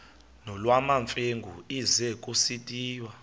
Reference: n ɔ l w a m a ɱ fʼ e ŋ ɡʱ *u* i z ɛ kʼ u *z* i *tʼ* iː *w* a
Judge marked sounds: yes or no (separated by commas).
yes, no, yes, yes